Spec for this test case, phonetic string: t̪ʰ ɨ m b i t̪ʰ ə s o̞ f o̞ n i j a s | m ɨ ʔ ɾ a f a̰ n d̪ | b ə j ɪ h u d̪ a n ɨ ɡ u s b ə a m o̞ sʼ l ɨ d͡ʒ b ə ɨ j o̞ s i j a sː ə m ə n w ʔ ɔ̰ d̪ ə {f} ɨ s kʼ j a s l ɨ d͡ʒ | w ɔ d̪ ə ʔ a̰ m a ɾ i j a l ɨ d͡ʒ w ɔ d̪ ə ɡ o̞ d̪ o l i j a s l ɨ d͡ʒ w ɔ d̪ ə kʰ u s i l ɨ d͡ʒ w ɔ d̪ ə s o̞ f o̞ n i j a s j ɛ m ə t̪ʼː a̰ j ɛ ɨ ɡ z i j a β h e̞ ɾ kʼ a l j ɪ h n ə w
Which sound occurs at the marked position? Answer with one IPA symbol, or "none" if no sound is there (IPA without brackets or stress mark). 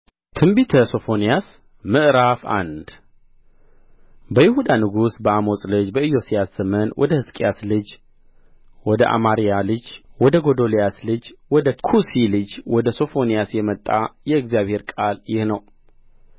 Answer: h